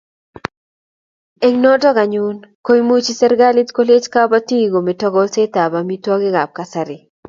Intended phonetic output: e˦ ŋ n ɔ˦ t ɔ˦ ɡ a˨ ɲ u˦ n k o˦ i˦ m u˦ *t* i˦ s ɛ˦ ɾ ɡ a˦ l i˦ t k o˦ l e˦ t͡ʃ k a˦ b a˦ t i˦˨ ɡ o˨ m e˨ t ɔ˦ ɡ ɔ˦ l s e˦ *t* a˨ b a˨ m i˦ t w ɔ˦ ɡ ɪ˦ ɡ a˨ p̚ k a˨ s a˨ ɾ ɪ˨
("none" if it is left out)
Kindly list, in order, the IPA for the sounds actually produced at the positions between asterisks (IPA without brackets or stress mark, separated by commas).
t͡ʃ, t